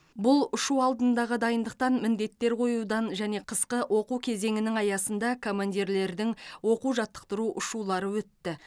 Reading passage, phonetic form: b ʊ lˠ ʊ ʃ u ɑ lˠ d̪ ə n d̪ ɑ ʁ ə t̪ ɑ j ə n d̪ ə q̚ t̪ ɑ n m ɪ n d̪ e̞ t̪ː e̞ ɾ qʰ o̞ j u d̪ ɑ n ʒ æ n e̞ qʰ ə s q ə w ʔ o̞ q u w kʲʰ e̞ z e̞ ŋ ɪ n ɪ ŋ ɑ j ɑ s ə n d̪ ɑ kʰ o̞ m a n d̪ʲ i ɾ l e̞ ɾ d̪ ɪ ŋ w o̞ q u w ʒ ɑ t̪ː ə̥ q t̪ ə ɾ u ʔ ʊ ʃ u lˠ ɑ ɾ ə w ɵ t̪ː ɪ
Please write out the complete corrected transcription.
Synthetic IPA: b ʊ lˠ ʊ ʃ u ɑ lˠ d̪ ə n d̪ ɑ ʁ ə d̪ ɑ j ə n d̪ ə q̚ t̪ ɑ n m ɪ n d̪ e̞ t̪ː e̞ ɾ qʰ o̞ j u d̪ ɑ n ʒ æ n e̞ qʰ ə s q ə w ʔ o̞ q u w kʲʰ e̞ z e̞ ŋ ɪ n ɪ ŋ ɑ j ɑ s ə n d̪ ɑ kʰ o̞ m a n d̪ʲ i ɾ l e̞ ɾ d̪ ɪ ŋ w o̞ q u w ʒ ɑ t̪ː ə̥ q t̪ ə ɾ u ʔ ʊ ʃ u lˠ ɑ ɾ ə w ɵ t̪ː ɪ